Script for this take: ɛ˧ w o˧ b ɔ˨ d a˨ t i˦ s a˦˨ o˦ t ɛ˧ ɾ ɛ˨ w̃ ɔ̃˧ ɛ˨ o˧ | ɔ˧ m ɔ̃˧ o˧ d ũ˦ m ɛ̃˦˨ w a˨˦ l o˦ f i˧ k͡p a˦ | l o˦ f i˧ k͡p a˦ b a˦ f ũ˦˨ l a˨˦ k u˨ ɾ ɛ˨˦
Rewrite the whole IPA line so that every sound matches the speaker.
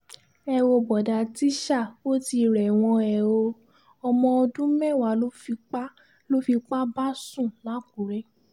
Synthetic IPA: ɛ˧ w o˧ b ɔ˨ d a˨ t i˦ ʃ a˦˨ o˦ t i˧ ɾ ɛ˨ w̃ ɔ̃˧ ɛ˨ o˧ | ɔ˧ m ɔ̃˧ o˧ d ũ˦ m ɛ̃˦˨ w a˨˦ l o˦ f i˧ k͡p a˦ | l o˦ f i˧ k͡p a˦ b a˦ s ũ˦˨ l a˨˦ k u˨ ɾ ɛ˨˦